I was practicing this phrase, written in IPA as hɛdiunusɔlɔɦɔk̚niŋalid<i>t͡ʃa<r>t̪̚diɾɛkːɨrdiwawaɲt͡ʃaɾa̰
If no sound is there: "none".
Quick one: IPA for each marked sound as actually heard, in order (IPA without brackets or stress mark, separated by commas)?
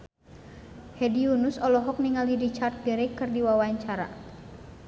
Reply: i, r